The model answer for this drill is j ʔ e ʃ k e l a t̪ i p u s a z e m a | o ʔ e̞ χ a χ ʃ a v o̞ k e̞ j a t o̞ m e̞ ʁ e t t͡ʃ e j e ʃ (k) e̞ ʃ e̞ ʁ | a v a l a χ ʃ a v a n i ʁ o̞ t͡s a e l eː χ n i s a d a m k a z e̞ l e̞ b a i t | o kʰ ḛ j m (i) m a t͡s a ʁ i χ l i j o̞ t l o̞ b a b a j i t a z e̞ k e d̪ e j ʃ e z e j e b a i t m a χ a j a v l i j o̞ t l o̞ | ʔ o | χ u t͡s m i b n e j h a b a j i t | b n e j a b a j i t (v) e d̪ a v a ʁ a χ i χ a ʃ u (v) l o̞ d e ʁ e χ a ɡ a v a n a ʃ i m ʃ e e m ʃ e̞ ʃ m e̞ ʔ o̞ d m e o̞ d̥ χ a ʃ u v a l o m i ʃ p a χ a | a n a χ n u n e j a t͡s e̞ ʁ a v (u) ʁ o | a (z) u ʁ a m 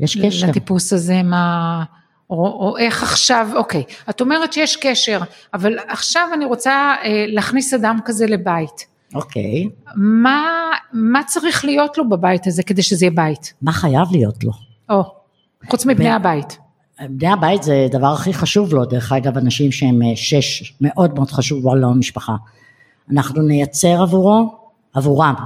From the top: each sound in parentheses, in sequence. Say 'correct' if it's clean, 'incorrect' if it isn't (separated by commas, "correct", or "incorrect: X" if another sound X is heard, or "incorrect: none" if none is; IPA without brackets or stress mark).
correct, incorrect: a, incorrect: z, correct, correct, incorrect: v